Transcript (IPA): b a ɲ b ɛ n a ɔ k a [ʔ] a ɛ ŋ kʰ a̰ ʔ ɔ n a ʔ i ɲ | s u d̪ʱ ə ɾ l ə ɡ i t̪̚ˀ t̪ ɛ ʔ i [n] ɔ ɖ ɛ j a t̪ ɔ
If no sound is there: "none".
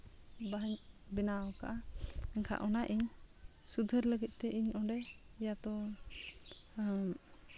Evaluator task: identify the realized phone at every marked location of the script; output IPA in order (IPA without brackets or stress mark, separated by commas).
ʔ, ɲ